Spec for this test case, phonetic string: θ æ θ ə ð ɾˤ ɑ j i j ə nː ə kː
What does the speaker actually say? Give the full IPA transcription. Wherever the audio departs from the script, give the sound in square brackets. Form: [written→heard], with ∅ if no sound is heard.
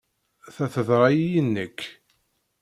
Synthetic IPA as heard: θ æ θ ə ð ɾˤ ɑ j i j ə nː ə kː